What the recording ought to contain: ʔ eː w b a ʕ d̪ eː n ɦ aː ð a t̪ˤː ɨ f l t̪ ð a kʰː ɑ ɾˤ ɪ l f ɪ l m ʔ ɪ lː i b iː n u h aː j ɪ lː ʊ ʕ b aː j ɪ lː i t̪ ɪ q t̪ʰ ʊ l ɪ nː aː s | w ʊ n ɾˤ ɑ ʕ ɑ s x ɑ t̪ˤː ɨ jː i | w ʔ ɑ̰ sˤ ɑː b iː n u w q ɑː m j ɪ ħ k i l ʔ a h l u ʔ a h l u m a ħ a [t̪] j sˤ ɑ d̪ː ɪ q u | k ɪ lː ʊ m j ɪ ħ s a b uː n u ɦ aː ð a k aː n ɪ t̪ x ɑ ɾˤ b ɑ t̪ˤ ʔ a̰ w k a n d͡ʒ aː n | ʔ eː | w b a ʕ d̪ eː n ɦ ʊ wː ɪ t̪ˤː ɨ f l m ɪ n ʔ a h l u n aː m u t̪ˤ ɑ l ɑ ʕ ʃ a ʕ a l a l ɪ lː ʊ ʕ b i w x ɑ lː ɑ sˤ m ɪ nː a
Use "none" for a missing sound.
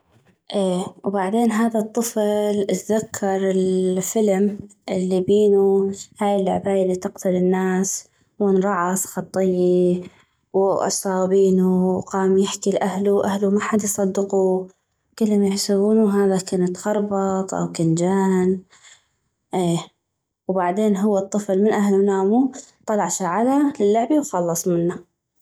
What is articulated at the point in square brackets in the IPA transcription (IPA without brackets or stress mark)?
d̪